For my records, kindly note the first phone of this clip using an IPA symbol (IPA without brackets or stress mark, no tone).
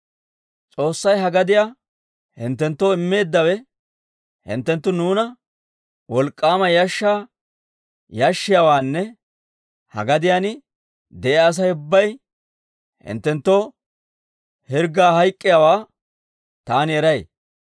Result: t͡sʼ